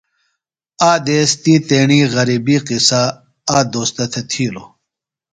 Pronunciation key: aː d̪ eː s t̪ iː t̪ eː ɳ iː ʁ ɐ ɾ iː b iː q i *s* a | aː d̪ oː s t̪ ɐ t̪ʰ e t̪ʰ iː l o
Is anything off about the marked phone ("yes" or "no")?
no